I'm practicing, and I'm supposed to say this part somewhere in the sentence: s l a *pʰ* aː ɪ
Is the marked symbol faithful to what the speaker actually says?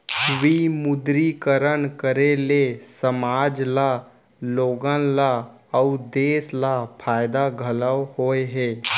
yes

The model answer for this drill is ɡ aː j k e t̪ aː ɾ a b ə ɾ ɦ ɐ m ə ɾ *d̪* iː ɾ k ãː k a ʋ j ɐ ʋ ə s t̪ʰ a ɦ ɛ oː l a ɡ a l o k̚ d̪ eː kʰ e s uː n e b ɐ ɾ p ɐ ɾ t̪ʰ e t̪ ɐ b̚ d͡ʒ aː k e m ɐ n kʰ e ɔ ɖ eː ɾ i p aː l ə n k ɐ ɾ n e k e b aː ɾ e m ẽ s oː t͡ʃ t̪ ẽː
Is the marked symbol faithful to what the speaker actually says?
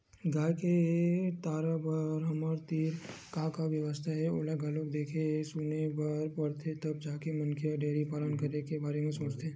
no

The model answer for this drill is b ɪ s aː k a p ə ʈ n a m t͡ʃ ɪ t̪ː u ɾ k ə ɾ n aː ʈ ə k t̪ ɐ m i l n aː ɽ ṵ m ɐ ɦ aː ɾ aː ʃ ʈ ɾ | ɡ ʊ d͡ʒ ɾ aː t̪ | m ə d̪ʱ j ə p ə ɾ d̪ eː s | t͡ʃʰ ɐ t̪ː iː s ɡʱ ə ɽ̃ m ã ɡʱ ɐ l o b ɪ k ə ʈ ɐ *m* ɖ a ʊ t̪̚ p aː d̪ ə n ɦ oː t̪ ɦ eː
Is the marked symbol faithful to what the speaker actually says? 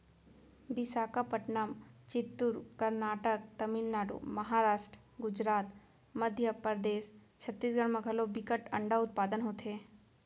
no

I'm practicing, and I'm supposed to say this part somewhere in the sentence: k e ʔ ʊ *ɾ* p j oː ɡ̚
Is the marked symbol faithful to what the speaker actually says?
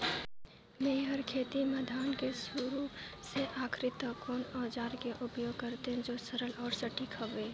no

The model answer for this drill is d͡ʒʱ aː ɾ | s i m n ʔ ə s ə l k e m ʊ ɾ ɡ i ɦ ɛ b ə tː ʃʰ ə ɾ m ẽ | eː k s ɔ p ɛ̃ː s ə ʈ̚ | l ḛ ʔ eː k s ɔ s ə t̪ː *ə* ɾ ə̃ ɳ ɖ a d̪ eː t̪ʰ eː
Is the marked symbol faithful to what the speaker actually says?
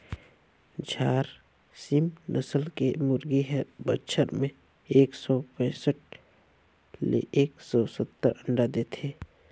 yes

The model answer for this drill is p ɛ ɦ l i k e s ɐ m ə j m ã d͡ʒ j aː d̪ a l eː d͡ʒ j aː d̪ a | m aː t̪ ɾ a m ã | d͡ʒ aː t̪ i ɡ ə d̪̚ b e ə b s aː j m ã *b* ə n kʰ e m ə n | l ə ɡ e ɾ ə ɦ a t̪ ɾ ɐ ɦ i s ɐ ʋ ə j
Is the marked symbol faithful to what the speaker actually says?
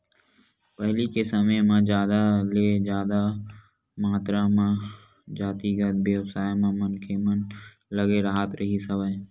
no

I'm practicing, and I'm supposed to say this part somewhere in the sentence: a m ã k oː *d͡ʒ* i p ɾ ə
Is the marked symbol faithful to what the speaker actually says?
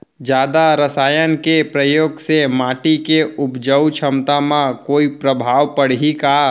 no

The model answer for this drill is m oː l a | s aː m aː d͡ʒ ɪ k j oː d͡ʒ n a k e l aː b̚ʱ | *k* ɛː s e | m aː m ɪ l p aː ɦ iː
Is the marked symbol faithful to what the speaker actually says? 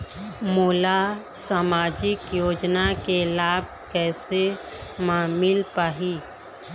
yes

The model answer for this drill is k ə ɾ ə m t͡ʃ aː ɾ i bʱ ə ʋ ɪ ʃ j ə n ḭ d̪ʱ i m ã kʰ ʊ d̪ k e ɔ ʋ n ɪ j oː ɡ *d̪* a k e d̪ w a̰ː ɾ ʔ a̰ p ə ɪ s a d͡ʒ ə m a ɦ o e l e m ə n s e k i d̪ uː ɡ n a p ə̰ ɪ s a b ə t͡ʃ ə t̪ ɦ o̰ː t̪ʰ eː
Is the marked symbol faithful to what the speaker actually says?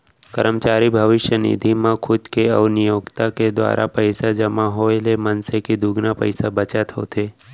no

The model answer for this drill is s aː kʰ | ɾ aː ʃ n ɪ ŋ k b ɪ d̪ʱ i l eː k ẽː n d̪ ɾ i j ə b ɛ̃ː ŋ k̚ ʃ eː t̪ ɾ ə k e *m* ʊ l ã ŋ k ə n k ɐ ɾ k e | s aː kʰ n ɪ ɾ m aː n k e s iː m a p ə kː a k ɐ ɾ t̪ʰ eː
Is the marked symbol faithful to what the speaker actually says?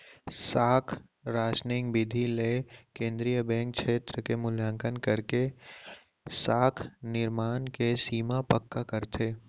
yes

